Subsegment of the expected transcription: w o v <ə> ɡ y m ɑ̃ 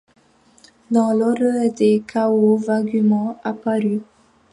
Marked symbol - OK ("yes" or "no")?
no